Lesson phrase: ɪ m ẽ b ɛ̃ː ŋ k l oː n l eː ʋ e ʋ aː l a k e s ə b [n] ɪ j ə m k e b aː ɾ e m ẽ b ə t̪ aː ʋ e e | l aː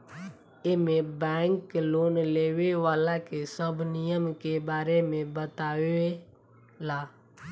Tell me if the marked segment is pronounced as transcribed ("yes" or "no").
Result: yes